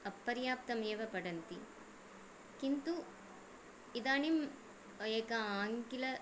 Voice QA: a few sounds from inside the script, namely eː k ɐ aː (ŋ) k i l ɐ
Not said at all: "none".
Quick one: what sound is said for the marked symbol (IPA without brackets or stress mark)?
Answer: ŋ